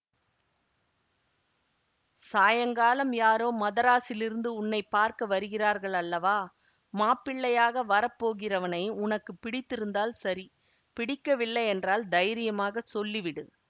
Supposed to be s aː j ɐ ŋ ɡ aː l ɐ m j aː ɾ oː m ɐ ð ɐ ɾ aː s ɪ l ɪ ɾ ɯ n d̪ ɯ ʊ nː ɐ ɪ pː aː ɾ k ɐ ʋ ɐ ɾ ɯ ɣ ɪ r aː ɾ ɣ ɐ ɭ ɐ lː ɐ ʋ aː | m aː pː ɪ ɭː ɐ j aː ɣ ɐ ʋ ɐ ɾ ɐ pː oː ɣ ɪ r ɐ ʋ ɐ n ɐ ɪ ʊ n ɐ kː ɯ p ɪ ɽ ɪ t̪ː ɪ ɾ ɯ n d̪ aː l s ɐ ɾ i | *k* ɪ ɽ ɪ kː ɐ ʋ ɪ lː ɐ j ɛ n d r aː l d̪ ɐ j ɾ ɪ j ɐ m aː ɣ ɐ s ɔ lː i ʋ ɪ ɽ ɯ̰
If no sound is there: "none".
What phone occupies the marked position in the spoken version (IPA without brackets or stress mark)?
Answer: p